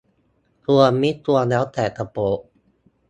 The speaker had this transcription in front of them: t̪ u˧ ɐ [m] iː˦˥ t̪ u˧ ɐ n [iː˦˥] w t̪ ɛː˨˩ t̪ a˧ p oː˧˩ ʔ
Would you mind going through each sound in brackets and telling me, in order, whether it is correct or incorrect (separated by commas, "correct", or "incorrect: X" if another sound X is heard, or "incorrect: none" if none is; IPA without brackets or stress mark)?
correct, incorrect: ɛː˦˥